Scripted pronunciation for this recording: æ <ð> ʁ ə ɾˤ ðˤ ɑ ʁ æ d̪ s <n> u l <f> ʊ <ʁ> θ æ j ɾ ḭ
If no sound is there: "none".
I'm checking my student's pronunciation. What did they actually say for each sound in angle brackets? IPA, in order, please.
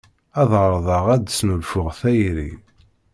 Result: ð, n, f, ʁ

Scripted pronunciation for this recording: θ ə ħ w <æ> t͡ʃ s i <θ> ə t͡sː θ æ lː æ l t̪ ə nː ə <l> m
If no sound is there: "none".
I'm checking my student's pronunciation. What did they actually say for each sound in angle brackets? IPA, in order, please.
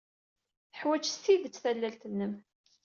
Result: æ, ð, none

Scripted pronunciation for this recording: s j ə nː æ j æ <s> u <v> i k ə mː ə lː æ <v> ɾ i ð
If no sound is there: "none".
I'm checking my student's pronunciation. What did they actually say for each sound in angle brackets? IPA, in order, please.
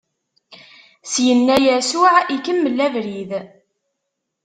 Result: s, ʕ, v

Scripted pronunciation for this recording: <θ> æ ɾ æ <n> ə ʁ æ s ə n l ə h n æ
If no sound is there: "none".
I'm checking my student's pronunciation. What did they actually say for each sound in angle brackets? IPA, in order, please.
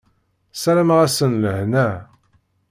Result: s, m

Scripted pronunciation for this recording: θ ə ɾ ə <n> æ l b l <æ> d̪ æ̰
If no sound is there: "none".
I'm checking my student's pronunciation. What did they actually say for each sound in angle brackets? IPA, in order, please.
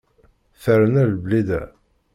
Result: n, i

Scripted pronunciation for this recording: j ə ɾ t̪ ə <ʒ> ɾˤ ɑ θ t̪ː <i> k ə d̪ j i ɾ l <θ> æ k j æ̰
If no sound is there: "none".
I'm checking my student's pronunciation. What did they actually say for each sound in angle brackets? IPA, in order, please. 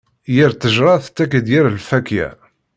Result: ʒ, æ, f

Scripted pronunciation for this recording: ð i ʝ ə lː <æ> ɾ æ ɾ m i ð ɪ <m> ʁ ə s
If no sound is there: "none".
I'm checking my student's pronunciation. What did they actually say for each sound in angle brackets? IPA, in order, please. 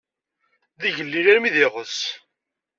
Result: i, none

